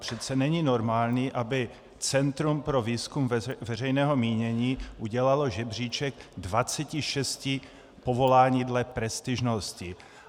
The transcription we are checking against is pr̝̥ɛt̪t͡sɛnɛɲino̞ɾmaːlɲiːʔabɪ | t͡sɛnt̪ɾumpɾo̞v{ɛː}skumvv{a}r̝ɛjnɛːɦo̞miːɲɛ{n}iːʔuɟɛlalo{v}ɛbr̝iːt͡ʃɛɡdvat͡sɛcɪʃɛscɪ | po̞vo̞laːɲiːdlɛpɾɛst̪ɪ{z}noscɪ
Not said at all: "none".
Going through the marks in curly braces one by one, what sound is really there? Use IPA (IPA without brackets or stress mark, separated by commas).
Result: iː, ɛ, ɲ, ʒ, ʒ